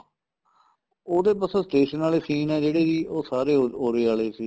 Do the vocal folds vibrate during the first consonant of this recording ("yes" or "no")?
yes